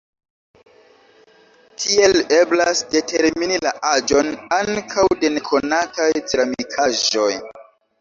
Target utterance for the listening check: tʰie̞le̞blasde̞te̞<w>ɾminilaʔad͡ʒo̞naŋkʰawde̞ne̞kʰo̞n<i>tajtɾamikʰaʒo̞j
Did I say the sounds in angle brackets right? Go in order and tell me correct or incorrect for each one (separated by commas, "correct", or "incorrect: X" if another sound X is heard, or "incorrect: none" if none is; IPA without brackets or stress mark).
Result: incorrect: none, incorrect: a